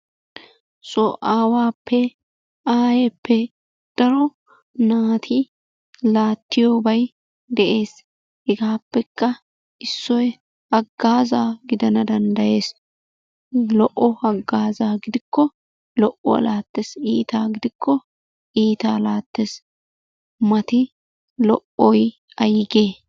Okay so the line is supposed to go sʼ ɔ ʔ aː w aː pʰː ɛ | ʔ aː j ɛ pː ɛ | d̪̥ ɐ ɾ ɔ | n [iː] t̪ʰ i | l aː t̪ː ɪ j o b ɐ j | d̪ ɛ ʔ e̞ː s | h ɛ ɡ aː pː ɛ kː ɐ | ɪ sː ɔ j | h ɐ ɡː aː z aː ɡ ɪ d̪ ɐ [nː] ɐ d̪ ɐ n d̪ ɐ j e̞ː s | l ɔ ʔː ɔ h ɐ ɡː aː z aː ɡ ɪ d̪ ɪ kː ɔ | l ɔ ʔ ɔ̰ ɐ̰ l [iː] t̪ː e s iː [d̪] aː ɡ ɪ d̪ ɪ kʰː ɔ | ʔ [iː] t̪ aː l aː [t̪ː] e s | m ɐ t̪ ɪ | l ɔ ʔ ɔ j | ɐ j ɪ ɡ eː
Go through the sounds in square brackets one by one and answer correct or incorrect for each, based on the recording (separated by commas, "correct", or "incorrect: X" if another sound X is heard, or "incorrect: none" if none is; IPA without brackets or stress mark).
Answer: incorrect: aː, incorrect: n, incorrect: aː, incorrect: t̪, correct, correct